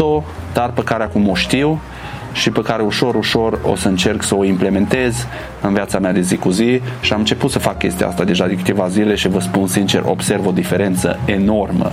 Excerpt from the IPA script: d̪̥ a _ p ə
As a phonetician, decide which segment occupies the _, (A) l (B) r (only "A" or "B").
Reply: B